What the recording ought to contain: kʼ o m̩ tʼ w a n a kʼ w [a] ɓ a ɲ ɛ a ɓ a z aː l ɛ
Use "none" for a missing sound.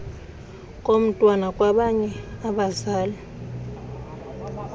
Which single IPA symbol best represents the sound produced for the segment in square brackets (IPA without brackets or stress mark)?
a